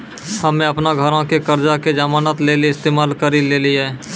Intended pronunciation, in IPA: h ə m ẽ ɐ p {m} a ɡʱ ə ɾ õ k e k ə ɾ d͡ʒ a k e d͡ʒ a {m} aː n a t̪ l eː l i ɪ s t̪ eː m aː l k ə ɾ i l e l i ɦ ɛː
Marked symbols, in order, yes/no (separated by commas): no, yes